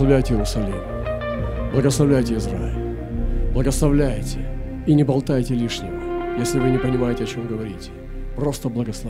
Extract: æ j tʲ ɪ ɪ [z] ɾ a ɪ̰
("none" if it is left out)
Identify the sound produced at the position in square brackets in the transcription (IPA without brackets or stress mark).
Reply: z